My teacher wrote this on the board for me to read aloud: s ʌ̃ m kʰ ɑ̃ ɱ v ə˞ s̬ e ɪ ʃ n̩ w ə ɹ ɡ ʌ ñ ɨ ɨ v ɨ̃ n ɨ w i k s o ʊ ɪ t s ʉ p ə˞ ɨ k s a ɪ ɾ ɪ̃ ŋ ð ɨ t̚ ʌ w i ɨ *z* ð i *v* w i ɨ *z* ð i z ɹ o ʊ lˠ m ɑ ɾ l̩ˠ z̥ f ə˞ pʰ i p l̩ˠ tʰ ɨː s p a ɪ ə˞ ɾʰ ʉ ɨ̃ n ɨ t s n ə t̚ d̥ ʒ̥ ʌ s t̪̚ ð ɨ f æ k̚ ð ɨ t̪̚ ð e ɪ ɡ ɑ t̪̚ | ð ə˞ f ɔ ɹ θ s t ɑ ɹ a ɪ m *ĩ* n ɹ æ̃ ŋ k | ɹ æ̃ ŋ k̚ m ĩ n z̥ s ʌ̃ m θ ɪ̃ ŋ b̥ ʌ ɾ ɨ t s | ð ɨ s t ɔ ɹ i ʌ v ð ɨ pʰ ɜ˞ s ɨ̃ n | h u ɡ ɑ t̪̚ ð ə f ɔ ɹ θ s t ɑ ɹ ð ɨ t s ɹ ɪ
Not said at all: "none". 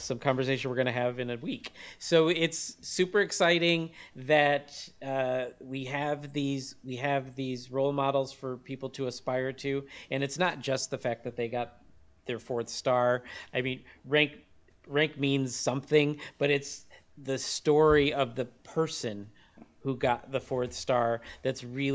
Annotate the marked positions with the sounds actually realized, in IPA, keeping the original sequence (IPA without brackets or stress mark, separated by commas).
v, z, v, ĩ